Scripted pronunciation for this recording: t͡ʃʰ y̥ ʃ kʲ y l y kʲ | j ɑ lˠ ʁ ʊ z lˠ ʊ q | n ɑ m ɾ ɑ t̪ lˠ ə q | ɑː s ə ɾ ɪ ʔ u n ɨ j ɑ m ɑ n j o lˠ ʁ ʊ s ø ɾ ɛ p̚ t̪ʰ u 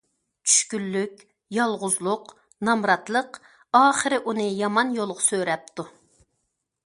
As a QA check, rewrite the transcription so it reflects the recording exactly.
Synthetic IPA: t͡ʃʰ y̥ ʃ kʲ y lː y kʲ | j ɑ lˠ ʁ ʊ z lˠ ʊ q | n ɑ m ɾ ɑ t̪ lˠ ə q | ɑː χ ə ɾ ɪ ʔ u n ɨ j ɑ m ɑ n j o lˠ ʁ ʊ s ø ɾ ɛ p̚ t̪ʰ u